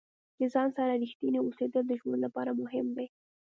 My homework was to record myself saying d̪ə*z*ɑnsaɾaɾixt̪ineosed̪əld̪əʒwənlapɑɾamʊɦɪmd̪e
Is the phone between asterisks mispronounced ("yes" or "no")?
no